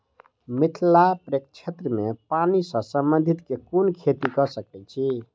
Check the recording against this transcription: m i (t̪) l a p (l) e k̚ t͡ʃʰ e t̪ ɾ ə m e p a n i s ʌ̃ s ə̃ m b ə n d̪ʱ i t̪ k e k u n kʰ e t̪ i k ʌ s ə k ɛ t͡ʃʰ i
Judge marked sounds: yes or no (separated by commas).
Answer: no, no